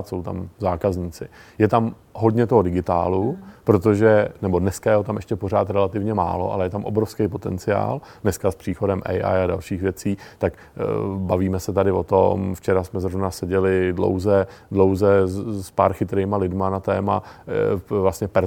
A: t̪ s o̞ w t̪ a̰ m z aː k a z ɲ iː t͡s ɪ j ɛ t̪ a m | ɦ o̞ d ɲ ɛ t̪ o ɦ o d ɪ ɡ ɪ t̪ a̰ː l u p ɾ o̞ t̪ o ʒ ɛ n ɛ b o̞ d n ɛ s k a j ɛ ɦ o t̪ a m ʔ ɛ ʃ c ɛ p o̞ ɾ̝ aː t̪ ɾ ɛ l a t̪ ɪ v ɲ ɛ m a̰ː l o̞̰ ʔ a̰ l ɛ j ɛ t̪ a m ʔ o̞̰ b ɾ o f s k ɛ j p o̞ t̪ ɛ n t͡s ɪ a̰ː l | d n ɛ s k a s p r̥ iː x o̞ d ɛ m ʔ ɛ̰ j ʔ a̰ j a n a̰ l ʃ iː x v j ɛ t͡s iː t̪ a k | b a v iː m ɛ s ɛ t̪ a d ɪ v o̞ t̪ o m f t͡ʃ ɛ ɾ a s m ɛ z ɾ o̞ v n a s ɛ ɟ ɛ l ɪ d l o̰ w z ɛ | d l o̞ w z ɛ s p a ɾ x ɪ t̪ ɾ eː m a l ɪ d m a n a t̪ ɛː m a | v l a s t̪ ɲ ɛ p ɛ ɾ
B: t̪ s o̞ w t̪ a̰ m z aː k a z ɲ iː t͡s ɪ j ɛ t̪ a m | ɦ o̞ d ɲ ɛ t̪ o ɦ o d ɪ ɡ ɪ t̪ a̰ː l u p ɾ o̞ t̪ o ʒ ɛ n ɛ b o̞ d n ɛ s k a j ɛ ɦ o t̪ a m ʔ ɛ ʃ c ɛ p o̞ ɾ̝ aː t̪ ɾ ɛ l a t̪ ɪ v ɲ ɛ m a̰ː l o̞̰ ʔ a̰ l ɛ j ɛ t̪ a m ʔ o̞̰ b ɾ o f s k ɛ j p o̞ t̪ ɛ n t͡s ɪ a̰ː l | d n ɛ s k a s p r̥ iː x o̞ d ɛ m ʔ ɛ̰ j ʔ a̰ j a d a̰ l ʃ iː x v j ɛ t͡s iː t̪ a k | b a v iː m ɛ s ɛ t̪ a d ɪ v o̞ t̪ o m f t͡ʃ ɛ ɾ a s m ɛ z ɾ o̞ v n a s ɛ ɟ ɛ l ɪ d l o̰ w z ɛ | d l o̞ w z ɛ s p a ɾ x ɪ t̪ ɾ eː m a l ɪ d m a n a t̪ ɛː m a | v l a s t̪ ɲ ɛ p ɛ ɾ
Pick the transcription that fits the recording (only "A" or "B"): B